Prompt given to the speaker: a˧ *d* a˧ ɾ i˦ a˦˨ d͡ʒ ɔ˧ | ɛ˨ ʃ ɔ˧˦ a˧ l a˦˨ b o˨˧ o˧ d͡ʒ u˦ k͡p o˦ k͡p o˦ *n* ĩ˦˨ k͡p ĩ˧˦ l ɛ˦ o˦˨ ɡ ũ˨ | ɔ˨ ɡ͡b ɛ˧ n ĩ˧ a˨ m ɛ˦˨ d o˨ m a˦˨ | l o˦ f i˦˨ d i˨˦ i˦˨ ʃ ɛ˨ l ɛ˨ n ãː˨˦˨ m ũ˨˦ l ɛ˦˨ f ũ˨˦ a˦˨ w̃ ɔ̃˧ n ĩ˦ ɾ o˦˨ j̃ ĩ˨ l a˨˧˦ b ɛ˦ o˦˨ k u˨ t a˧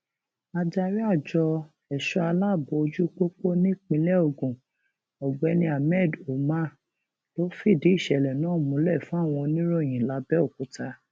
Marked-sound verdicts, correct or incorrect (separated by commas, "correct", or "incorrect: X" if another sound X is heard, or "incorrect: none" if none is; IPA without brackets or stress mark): incorrect: d͡ʒ, correct